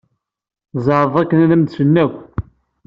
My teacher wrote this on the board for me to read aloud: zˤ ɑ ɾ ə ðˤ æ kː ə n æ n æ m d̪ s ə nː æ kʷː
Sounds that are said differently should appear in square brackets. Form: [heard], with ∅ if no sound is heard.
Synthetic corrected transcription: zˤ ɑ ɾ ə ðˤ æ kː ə n æ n æ m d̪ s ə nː æ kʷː

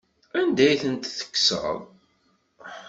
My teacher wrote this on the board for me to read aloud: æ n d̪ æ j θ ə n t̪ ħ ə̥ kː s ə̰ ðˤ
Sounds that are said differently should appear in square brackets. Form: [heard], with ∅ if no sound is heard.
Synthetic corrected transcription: æ n d̪ æ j θ ə n t̪ [θ] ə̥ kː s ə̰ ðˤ

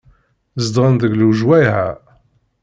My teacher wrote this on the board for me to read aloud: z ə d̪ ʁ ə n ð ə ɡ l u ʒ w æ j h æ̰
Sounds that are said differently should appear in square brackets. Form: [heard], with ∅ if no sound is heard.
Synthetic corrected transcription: z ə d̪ ʁ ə n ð ə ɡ l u ʒ w æ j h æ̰

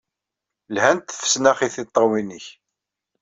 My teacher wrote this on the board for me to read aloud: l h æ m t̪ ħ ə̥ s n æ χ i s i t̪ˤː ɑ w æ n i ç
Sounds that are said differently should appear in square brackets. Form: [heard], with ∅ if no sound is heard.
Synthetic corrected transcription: l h æ [n] t̪ [f] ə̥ s n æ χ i [θ] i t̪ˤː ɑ w [i] n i ç

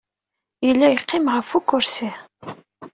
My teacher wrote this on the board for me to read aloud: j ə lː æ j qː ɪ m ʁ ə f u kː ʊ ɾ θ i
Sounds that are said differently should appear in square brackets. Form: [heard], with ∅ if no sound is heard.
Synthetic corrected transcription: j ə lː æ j qː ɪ m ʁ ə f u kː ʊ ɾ [s] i

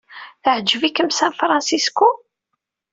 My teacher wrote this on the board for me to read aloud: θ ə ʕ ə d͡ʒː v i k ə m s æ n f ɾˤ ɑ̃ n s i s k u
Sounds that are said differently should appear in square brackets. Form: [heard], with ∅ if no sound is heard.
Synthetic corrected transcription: θ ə ʕ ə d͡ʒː v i k ə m s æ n f ɾˤ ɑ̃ n s i s k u

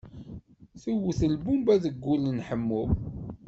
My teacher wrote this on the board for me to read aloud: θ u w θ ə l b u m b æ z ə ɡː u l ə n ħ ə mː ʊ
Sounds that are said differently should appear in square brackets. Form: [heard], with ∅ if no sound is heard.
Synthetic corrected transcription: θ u w θ ə l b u m b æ [ð] ə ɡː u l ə n ħ ə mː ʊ

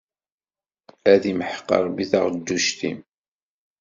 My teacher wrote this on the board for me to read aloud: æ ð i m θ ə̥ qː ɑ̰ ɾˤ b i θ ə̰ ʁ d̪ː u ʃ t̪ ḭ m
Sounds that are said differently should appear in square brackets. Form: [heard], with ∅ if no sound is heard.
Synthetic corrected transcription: æ ð i m [ħ] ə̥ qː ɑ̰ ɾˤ b i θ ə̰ ʁ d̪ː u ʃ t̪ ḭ m

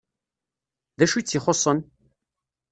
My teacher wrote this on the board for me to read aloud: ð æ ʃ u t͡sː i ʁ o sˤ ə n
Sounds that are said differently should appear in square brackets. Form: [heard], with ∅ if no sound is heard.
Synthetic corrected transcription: ð æ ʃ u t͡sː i [χ] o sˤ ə n

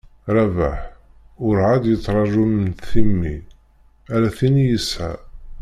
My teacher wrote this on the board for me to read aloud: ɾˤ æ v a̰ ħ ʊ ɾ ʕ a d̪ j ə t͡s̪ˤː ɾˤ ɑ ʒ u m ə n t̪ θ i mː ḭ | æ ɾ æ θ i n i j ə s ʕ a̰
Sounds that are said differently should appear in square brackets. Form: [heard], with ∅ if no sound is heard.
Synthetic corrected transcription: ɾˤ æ v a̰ ħ ʊ ɾ ʕ a d̪ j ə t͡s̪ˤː ɾˤ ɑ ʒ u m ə n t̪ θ i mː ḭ | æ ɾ æ θ i n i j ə s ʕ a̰

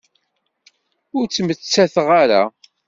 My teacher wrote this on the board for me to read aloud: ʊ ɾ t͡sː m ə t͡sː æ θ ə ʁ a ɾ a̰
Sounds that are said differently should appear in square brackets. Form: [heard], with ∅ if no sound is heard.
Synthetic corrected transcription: ʊ ɾ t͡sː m ə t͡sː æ θ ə ʁ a ɾ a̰

